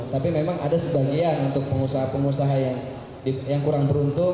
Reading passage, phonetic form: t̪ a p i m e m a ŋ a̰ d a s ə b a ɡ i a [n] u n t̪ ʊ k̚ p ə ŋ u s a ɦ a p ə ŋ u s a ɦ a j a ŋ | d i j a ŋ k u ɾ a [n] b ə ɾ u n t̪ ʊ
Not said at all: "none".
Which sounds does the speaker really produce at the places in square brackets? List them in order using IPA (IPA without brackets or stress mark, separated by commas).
n, ŋ